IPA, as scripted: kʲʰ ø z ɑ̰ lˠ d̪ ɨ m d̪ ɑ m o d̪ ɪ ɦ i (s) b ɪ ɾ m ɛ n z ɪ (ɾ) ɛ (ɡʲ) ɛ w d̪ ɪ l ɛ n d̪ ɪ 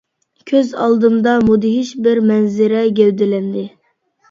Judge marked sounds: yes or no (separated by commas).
no, yes, yes